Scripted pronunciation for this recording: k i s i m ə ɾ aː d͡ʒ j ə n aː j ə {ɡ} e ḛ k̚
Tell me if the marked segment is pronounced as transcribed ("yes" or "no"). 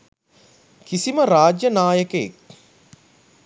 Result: no